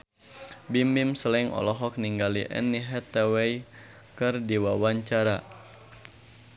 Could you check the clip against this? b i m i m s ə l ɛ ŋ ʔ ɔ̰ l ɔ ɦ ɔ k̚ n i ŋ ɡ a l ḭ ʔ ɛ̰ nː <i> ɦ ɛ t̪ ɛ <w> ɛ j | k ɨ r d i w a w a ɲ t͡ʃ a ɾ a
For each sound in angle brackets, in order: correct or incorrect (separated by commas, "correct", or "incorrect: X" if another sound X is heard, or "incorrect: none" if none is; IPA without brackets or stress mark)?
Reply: correct, correct